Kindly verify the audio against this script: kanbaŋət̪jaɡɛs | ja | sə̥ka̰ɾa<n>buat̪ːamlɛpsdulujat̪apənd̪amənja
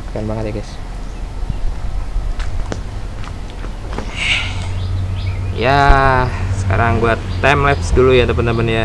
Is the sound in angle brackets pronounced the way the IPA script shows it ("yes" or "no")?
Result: no